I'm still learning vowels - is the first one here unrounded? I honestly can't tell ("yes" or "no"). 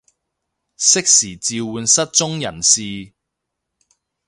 yes